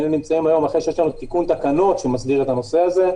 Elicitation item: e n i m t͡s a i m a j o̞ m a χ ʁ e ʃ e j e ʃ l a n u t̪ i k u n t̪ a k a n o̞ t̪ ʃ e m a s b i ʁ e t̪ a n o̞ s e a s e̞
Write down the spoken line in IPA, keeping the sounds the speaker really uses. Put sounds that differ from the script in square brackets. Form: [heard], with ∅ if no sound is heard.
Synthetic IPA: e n i m t͡s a i m a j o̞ m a χ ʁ e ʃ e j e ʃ l a n u t̪ i k u n t̪ a k a n o̞ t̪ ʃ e m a s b i ʁ e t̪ a n o̞ s e a [z] e̞